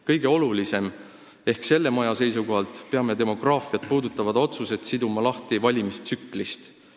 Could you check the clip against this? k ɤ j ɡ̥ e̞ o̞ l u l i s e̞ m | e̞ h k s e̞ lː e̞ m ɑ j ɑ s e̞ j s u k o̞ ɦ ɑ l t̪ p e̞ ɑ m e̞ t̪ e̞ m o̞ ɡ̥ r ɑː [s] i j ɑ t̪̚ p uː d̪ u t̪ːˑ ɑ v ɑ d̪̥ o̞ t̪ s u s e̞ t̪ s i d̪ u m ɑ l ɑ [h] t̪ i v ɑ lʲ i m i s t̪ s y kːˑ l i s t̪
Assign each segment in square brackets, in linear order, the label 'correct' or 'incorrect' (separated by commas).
incorrect, correct